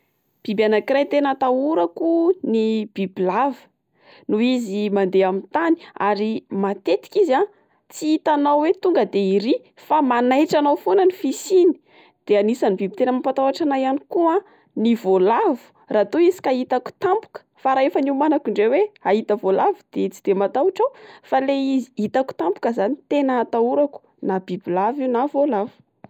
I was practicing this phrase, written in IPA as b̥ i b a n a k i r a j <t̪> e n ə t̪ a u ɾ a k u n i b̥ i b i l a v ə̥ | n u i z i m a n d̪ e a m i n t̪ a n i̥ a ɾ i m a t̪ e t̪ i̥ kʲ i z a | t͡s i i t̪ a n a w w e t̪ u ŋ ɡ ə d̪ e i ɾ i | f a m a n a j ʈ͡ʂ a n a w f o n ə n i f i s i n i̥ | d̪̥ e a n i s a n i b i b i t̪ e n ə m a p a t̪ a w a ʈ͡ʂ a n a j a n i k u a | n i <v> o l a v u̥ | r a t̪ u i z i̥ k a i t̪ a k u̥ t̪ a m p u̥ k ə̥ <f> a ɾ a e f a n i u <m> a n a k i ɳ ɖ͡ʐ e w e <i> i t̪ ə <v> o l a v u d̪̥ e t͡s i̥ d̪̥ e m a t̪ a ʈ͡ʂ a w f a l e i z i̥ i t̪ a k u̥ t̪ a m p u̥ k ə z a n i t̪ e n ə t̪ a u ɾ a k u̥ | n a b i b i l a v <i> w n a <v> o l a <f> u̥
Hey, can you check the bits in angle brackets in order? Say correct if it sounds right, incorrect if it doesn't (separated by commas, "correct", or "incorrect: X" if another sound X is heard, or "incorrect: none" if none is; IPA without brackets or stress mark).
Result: correct, correct, correct, correct, incorrect: a, correct, correct, correct, incorrect: v